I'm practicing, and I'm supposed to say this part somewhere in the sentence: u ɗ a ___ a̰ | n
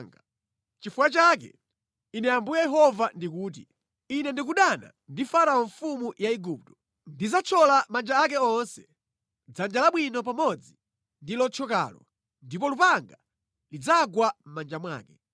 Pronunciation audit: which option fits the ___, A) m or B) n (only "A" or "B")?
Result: B